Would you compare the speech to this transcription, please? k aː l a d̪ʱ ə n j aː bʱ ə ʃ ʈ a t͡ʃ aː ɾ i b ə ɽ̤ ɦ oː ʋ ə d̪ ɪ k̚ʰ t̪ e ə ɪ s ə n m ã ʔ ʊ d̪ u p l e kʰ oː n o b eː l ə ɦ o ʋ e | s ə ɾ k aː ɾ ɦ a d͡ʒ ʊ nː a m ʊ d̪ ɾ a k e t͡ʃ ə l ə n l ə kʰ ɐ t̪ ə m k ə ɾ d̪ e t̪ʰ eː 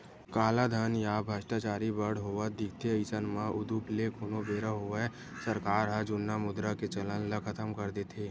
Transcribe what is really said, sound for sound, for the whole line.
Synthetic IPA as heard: k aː l a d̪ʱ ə n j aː bʱ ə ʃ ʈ a t͡ʃ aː ɾ i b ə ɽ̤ ɦ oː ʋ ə d̪ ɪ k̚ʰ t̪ e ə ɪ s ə n m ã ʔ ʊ d̪ u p l e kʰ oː n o b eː ɾ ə ɦ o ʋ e | s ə ɾ k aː ɾ ɦ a d͡ʒ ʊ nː a m ʊ d̪ ɾ a k e t͡ʃ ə l ə n l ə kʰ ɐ t̪ ə m k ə ɾ d̪ e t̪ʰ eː